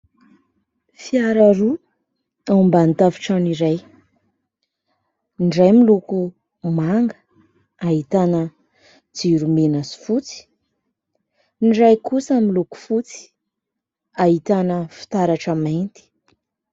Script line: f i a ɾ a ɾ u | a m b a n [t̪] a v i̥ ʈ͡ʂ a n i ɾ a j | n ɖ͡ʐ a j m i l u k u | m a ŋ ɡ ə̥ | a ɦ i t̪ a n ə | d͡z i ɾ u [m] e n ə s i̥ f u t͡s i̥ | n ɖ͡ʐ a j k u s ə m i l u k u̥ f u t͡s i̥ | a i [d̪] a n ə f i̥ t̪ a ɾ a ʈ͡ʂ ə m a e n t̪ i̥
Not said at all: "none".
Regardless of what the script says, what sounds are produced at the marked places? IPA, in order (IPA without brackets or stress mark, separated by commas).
t̪, m, t̪